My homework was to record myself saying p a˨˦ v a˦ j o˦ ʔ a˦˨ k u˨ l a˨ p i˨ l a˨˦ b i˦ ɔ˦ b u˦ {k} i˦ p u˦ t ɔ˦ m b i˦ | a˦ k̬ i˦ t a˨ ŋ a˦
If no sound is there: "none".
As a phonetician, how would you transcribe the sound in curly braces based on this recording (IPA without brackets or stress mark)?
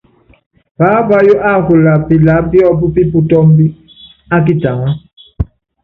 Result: p